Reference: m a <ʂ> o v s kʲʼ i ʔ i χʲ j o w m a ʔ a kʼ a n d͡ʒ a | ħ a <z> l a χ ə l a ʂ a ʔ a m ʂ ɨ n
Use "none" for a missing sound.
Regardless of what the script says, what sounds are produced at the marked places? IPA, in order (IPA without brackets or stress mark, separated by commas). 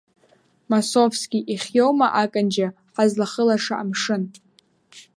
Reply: s, z